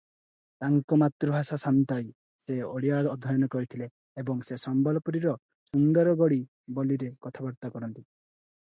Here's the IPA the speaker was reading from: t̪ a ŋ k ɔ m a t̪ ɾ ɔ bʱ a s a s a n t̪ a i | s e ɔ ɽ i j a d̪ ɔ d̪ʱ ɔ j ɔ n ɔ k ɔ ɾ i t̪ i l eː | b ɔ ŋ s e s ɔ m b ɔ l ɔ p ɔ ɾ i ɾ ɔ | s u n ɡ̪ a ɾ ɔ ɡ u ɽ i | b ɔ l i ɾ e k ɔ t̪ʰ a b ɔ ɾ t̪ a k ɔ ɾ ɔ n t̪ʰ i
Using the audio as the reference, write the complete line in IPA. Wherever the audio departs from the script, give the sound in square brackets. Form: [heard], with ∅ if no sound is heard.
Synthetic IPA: t̪ a ŋ k ɔ m a t̪ ɾ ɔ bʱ a s a s a n t̪ a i | s e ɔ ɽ i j a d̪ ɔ d̪ʱ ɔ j ɔ n ɔ k ɔ ɾ i [t̪ʰ] i l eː | b ɔ ŋ s e s ɔ m b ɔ l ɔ p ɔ ɾ i ɾ ɔ | s u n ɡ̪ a ɾ ɔ ɡ [ɔ] ɽ i | b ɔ l i ɾ e k ɔ t̪ʰ a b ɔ ɾ t̪ a k ɔ ɾ ɔ n [t̪] i

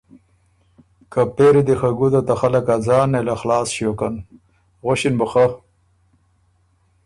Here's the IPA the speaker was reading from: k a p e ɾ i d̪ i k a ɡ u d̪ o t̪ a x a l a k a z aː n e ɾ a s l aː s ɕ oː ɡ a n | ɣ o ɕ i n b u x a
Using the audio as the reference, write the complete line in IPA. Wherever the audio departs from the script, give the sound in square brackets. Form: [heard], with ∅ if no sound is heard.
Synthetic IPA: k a p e ɾ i d̪ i [x] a ɡ u d̪ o t̪ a x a l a k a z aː n e [l] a [x] l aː s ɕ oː [k] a n | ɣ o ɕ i n b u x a

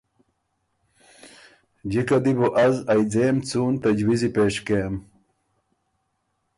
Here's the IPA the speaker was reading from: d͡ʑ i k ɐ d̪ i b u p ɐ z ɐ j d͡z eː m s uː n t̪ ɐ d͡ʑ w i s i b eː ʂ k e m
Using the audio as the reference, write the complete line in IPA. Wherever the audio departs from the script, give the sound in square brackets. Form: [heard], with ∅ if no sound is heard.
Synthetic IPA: d͡ʑ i k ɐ d̪ i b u [ʔ] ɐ z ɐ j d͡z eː m [t͡s] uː n t̪ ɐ d͡ʑ w i [z] i [p] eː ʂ k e m

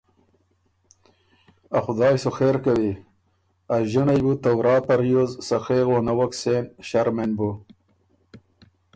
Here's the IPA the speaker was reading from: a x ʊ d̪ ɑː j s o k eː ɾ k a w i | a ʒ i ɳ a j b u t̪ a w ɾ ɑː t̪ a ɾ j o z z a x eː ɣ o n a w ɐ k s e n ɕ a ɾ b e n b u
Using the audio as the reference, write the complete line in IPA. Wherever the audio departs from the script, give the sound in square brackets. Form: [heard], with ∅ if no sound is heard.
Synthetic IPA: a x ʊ d̪ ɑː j s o [x] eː ɾ k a w i | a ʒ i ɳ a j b u t̪ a w ɾ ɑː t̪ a ɾ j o z [s] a x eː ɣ o n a w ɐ k s e n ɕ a ɾ [m] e n b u

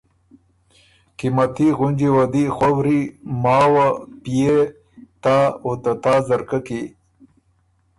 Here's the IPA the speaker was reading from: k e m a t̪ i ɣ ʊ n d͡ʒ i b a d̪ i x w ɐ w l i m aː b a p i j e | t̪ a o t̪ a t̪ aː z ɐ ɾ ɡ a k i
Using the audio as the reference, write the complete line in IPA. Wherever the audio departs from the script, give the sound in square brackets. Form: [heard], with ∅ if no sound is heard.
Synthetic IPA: k [i] m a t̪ i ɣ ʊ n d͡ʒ i [w] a d̪ i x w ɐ w [ɾ] i m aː [w] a p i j e | t̪ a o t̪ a t̪ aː z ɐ ɾ [k] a k i

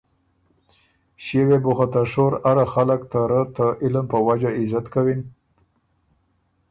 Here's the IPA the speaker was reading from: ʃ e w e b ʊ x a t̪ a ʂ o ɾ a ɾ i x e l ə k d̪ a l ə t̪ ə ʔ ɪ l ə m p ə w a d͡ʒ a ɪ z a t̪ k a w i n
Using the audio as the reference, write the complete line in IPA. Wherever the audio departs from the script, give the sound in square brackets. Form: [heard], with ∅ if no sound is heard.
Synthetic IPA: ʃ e w e b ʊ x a t̪ a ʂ o ɾ a ɾ [a] x [a] l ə k [t̪] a [ɾ] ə t̪ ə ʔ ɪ l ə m p ə w a d͡ʒ a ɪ z a t̪ k a w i n

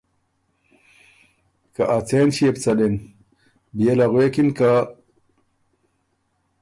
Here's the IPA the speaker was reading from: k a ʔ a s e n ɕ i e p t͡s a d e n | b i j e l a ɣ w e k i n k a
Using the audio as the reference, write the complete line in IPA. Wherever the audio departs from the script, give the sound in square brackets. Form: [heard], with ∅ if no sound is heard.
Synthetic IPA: k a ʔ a [t͡s] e n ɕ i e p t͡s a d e n | b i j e l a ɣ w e k i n k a

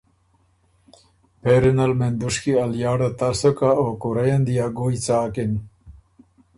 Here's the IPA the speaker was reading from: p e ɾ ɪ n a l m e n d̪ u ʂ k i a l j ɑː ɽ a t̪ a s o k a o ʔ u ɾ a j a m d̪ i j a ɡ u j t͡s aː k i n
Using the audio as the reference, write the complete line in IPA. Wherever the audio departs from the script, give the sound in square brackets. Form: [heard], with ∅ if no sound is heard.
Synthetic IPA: p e ɾ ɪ n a l m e n d̪ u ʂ k i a l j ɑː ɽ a t̪ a s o k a o [k] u ɾ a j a [n] d̪ i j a ɡ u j t͡s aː k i n

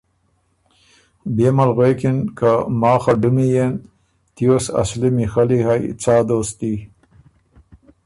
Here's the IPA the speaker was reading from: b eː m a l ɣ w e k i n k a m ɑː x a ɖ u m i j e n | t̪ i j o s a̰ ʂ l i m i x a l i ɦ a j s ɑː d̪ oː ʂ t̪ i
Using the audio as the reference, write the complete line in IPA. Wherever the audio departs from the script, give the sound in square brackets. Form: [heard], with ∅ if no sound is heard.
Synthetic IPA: b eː m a l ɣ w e k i n k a m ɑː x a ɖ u m i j e n | t̪ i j o s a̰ [s] l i m i x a l i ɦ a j [t͡s] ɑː d̪ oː [s] t̪ i

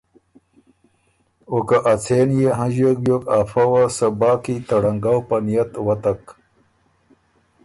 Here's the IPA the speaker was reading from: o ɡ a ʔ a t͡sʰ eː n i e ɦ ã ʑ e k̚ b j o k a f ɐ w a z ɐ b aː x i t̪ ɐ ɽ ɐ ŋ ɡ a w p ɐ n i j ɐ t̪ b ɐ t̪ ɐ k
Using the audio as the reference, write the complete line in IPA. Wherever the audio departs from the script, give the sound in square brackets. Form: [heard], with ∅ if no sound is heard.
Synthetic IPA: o [k] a ʔ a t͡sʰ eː n [j] e ɦ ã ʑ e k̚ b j o k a f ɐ w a [s] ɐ b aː [k] i t̪ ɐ ɽ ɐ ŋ ɡ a w p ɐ n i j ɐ t̪ [w] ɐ t̪ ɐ k

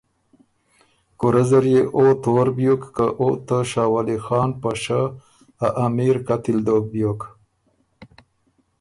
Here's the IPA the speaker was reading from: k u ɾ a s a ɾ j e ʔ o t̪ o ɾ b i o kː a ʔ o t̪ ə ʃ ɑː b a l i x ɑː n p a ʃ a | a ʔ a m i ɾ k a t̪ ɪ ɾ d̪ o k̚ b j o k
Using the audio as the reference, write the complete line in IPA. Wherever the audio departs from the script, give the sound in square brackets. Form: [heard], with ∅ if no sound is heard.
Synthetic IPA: k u ɾ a [z] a ɾ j e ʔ o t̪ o ɾ b [j] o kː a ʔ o t̪ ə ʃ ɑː [w] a l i x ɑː n p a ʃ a | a ʔ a m i ɾ k a t̪ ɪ [l] d̪ o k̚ b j o k

